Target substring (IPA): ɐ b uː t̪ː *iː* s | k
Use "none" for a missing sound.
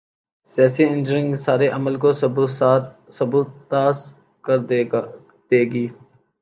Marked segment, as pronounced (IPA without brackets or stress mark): aː